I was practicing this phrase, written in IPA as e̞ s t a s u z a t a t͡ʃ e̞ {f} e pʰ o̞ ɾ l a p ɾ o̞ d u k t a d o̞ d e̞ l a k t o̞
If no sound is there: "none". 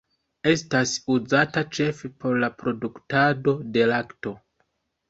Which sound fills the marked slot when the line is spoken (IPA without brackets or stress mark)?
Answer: f